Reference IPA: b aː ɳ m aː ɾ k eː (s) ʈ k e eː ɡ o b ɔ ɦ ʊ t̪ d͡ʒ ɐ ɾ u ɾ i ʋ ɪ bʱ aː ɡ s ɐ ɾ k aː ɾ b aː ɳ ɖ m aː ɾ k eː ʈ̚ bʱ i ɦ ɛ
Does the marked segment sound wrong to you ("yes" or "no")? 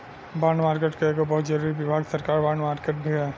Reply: yes